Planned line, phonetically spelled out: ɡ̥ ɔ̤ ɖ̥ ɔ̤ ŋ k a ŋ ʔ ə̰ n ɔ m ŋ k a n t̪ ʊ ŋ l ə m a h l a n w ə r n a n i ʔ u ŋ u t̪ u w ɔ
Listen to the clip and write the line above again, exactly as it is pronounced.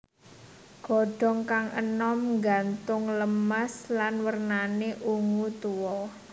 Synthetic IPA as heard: ɡ̥ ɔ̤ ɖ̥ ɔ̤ ŋ k a ŋ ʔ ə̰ n ɔ m ŋ ɡ a n t̪ ʊ ŋ l ə m a s l a n w ə r n a n e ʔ u ŋ u t̪ u w ɔ